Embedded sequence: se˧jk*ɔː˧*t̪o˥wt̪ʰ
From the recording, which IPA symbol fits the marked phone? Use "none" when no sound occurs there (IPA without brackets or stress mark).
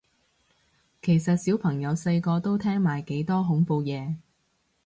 ɔː˧